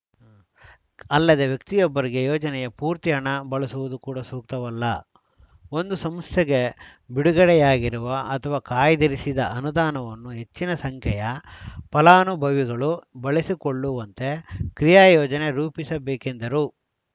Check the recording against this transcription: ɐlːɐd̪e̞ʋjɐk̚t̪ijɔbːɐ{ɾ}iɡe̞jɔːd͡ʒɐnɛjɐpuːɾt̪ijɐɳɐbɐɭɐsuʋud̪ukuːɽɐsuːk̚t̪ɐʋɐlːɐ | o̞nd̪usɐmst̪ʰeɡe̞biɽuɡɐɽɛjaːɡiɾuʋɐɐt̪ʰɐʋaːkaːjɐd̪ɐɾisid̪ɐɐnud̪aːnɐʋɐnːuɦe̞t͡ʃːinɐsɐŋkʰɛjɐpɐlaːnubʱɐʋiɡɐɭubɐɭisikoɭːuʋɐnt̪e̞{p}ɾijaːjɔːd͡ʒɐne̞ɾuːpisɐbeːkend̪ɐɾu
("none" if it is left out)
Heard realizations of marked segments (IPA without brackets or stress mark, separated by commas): ɾ, k